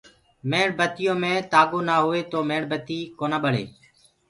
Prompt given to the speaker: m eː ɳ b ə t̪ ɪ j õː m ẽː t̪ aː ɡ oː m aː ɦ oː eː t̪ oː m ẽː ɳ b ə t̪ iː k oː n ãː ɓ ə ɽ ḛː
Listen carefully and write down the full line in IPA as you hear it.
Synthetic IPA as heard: m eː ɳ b ə t̪ ɪ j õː m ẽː t̪ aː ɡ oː n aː ɦ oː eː t̪ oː m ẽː ɳ b ə t̪ iː k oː n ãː ɓ ə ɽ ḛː